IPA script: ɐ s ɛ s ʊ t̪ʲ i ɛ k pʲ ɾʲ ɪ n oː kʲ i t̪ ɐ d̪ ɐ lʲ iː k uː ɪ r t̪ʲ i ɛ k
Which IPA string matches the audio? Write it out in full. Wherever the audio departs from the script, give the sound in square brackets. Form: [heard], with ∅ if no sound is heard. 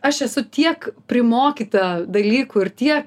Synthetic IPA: ɐ [ʃ] ɛ s ʊ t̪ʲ i ɛ k pʲ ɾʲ ɪ [m] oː kʲ i t̪ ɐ d̪ ɐ lʲ iː k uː ɪ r t̪ʲ i ɛ k